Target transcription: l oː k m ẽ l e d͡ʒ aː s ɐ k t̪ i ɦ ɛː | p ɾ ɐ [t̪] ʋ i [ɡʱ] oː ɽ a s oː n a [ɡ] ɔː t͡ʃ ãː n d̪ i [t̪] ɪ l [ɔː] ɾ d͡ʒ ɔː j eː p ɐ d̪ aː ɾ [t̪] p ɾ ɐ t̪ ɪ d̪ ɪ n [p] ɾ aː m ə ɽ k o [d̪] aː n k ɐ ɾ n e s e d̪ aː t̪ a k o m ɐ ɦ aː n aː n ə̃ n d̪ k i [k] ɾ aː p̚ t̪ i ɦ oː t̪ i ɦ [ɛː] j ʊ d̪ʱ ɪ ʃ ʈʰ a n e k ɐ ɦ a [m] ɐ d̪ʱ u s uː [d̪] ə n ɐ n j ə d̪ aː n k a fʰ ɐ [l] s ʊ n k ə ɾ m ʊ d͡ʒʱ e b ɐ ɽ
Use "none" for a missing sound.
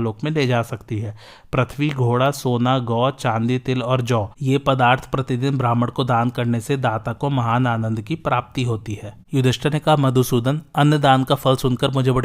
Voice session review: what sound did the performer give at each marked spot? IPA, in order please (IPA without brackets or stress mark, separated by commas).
t̪ʰ, ɡʱ, ɡ, t̪, ɔː, t̪ʰ, b, d̪, p, ɛː, m, d̪, l